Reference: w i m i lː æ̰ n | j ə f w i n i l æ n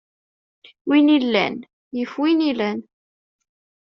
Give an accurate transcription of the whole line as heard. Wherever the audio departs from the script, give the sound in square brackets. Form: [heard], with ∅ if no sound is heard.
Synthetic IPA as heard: w i [n] i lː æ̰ n | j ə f w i n i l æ n